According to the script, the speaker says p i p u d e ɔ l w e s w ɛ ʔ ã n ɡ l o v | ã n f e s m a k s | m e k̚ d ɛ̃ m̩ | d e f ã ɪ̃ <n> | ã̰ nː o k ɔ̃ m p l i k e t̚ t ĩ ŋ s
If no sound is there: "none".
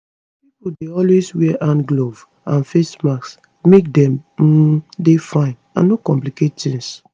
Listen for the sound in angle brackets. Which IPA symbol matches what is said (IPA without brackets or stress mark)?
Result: n